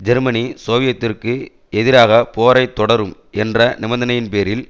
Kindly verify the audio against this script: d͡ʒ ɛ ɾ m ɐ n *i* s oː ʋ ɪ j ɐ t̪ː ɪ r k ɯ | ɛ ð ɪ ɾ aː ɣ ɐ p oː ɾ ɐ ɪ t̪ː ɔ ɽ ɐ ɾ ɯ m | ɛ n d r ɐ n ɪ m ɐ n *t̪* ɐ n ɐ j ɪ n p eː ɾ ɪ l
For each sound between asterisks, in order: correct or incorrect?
correct, incorrect: d̪

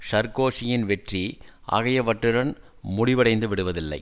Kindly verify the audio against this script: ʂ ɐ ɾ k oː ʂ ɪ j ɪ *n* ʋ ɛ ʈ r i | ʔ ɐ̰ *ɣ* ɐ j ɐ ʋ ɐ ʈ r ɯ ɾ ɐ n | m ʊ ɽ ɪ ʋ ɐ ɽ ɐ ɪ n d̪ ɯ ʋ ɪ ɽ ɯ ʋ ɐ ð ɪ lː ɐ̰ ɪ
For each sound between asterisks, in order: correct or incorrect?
correct, correct

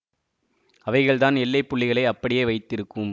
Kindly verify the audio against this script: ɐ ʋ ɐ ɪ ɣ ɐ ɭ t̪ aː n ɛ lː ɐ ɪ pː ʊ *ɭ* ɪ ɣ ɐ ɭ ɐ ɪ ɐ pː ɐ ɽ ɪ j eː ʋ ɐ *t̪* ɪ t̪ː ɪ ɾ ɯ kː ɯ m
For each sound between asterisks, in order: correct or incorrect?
incorrect: ɭː, incorrect: none

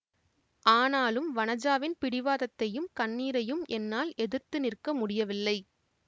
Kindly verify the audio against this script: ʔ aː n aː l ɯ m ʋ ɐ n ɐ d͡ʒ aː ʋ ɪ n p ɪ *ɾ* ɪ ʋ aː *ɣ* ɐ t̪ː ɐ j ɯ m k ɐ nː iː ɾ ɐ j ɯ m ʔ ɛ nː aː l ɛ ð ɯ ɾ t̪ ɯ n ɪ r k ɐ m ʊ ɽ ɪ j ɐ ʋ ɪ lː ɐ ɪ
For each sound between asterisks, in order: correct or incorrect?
incorrect: ɽ, incorrect: ð

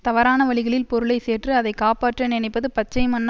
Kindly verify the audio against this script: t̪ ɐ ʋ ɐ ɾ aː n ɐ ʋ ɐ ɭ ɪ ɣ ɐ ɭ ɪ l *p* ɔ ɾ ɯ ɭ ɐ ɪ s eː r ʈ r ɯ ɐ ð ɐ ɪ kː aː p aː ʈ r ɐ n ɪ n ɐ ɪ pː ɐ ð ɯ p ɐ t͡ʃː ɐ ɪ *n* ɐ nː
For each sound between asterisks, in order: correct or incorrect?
correct, incorrect: m

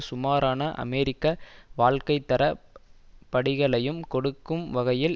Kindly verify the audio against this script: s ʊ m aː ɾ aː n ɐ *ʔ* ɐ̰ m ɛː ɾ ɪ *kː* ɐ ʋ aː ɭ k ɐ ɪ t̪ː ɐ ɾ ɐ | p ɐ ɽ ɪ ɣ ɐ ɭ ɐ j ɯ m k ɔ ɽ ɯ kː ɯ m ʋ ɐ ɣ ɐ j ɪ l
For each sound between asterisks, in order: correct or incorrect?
correct, correct

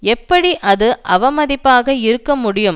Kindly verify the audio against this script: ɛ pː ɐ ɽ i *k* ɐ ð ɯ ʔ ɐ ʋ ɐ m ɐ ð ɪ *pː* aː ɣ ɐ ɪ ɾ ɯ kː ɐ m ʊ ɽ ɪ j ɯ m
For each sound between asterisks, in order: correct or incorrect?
incorrect: ʔ, correct

